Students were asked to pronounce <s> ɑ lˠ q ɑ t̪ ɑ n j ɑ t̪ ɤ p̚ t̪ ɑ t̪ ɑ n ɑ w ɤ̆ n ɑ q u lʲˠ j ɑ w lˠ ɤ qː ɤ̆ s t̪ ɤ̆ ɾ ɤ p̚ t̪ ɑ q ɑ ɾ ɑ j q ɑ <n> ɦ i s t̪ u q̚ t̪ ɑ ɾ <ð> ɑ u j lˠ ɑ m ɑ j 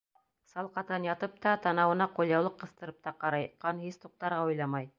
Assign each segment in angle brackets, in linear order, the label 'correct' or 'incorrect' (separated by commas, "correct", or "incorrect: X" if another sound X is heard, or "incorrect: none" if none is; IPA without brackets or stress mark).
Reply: correct, correct, incorrect: ʁ